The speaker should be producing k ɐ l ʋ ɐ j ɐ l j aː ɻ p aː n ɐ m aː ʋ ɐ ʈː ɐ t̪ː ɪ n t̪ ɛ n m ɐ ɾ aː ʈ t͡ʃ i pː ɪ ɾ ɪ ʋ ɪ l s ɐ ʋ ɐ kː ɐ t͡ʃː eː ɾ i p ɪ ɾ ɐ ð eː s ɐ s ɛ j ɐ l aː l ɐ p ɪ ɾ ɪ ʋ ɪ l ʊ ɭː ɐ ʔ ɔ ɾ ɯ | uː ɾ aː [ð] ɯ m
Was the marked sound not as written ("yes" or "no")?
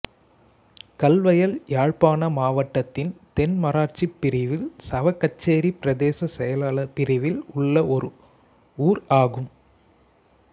yes